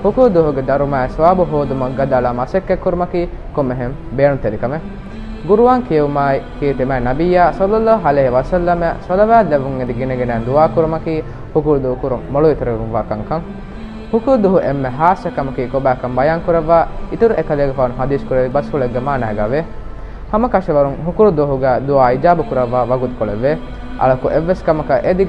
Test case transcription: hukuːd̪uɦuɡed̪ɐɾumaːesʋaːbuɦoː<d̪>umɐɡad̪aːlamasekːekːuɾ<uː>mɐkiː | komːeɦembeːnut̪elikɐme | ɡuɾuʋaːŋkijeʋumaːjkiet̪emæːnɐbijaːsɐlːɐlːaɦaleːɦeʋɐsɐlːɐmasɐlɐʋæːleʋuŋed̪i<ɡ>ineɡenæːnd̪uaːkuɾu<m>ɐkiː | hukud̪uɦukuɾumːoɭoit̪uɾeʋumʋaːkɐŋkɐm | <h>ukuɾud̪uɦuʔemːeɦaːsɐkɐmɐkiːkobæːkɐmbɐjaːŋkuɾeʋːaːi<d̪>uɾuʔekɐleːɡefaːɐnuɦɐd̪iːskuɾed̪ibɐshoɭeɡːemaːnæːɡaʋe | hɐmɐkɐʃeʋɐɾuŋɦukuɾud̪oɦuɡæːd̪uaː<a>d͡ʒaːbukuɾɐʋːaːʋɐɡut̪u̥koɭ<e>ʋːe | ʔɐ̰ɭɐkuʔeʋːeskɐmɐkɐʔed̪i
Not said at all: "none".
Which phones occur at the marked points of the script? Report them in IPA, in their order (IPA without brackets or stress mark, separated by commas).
d̪, u, ɡ, m, h, t̪, i, e